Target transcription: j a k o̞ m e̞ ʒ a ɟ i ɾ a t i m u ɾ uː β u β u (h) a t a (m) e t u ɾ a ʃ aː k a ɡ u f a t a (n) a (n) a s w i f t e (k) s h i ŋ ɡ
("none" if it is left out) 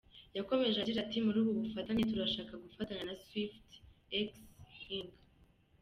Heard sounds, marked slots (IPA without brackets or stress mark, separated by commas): f, ɲ, ɲ, n, k